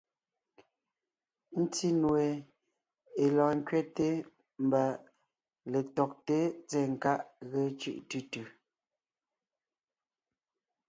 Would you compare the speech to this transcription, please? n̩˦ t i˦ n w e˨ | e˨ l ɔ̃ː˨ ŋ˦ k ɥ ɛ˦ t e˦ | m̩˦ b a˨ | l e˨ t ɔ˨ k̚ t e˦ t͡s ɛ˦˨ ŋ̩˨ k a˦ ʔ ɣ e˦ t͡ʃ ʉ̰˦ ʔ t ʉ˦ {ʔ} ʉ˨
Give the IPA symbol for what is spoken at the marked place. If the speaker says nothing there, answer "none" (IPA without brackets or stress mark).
t